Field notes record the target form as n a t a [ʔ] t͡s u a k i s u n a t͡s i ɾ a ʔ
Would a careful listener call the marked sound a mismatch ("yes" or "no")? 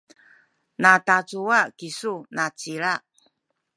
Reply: yes